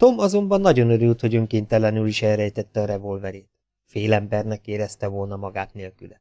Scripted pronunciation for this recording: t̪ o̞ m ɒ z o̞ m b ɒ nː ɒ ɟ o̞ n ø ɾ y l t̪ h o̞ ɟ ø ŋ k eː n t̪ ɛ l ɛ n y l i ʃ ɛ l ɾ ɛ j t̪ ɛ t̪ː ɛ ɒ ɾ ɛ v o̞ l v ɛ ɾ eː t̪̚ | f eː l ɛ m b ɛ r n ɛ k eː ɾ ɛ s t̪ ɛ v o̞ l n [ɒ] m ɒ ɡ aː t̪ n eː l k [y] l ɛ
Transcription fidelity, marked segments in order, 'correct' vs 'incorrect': correct, correct

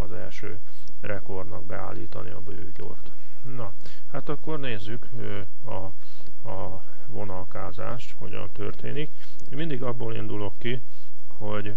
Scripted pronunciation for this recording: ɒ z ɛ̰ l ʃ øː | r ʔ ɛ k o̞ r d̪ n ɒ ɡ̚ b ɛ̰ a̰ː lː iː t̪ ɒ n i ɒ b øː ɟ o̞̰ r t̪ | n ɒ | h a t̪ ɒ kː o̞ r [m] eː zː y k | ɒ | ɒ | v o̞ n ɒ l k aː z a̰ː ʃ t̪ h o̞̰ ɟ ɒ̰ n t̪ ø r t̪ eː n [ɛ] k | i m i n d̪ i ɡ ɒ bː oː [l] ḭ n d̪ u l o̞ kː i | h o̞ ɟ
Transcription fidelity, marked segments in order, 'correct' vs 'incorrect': incorrect: n, incorrect: i, correct

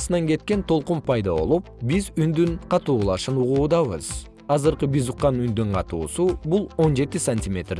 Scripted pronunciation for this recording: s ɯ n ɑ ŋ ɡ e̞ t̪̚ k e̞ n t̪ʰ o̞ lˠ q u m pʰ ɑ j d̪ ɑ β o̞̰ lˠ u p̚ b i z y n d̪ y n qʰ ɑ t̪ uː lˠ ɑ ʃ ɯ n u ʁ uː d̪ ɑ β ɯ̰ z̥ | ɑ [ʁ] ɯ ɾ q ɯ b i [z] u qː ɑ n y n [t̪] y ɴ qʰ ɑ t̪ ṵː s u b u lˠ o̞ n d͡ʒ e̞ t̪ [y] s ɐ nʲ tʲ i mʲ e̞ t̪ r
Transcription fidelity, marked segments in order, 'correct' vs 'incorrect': incorrect: z, correct, incorrect: d̪, incorrect: i

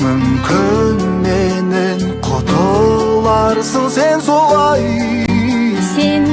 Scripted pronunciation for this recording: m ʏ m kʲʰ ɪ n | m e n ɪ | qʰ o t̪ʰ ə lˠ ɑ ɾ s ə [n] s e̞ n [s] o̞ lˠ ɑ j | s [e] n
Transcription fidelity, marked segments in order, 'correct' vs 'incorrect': incorrect: ɴ, correct, correct

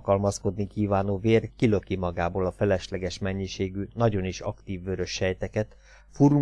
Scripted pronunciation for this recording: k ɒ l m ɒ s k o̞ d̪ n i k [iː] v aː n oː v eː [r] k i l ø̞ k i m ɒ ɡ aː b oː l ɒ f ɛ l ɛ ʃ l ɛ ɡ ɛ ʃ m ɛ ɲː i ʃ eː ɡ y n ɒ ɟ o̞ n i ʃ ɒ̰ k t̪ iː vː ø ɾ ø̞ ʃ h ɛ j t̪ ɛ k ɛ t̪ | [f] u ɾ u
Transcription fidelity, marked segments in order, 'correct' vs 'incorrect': correct, correct, correct

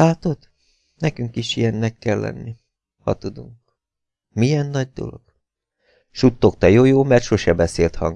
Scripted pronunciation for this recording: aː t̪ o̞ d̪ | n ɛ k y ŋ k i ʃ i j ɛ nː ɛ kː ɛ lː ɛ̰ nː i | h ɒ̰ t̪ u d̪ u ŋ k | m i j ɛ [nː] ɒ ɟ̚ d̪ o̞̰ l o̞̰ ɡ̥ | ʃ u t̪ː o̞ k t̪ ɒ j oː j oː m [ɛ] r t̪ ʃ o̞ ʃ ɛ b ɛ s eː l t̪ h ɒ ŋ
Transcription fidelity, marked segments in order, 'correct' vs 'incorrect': correct, correct

